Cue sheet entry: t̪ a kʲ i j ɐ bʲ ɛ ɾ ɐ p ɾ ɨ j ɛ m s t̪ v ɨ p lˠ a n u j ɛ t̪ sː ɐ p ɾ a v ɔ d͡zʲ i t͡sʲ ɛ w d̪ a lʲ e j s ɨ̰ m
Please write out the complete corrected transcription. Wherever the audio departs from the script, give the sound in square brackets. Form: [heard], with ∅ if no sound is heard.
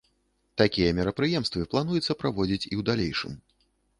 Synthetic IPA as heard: t̪ a kʲ i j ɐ [mʲ] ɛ ɾ ɐ p ɾ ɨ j ɛ m s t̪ v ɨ p lˠ a n u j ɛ t̪ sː ɐ p ɾ a v ɔ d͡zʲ i t͡sʲ [i] w d̪ a lʲ e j [ʂ] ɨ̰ m